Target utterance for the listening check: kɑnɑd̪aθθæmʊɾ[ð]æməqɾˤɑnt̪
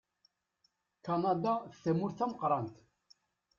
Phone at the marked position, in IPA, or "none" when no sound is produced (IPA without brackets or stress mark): θ